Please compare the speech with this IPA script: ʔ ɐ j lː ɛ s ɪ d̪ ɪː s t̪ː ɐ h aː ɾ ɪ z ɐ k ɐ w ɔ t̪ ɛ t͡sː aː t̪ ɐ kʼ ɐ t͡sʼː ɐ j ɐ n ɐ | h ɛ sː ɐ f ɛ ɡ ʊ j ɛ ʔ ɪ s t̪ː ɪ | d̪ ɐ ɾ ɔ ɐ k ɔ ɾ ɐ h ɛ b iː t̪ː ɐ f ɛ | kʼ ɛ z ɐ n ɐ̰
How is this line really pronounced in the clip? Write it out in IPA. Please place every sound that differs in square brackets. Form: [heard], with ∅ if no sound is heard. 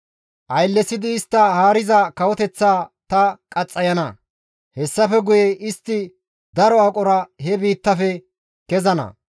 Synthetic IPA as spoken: ʔ ɐ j lː ɛ s ɪ d̪ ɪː s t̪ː ɐ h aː ɾ ɪ z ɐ k ɐ w ɔ t̪ ɛ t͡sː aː t̪ ɐ kʼ ɐ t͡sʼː ɐ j ɐ n ɐ | h ɛ sː ɐ f ɛ ɡ ʊ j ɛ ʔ ɪ s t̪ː ɪ | d̪ ɐ ɾ ɔ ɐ [kʼ] ɔ ɾ ɐ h ɛ b iː t̪ː ɐ f ɛ | [k] ɛ z ɐ n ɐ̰